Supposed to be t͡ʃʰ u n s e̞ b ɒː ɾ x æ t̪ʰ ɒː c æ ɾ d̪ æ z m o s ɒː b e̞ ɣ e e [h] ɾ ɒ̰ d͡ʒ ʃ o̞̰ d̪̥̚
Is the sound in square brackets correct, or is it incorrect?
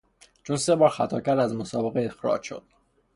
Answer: incorrect